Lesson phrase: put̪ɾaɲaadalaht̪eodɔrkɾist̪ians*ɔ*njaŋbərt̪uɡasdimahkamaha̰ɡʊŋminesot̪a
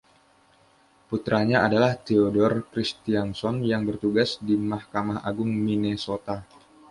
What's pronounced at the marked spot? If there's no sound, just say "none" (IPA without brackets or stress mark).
ɔ